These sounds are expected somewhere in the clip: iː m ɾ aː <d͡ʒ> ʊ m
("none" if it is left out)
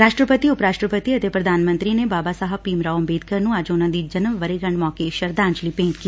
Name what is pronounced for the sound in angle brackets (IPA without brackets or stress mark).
none